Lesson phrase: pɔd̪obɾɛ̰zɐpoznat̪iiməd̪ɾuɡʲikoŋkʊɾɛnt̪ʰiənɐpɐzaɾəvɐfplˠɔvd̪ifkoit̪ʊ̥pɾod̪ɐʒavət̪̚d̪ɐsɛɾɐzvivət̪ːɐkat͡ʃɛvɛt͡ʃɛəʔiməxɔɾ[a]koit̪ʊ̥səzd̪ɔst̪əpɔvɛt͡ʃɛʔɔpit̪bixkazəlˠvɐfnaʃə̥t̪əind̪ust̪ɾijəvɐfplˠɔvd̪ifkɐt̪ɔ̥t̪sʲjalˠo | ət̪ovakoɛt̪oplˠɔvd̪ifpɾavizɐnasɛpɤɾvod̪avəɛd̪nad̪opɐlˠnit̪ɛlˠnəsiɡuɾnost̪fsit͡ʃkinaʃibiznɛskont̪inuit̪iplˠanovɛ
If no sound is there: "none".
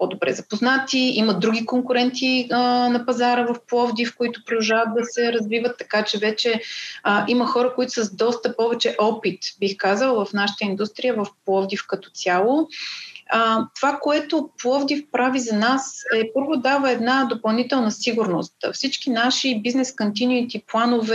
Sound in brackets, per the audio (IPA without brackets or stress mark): ə